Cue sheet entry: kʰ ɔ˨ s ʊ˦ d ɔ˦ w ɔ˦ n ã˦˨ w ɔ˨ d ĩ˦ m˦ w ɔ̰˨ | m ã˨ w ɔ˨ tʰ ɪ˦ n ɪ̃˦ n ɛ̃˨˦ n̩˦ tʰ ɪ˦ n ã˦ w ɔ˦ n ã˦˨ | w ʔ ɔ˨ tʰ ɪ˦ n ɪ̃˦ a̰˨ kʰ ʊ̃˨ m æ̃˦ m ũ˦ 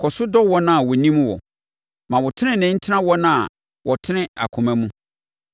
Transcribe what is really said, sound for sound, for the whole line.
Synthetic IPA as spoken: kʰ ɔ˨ s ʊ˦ d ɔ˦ w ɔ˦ n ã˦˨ w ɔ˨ n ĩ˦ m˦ w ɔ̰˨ | m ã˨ w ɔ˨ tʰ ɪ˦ n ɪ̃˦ n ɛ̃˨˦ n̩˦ tʰ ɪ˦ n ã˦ w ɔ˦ n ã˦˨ | w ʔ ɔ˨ tʰ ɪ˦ n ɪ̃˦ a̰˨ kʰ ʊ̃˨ m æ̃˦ m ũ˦